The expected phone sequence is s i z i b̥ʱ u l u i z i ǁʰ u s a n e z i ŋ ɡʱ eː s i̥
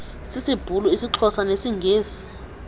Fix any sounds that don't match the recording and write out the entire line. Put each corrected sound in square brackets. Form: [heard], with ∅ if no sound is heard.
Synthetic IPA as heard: s i [s] i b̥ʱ u l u i [s] i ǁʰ [ɔ] s a n e [s] i ŋ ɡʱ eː s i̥